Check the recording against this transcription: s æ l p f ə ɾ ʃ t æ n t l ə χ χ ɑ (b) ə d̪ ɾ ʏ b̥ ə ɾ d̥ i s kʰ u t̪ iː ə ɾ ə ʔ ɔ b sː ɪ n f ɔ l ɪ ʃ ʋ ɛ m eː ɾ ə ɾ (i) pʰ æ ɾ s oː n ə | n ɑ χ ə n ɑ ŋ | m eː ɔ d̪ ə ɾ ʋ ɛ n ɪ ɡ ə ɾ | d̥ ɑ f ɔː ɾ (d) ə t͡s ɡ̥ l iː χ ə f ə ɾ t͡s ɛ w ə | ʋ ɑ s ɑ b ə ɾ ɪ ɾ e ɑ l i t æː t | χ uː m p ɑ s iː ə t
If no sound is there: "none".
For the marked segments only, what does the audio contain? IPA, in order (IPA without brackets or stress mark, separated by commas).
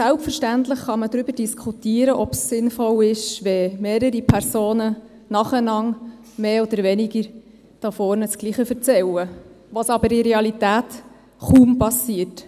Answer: m, i, n